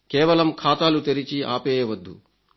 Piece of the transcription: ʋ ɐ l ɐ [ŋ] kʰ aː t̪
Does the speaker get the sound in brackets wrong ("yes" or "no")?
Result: yes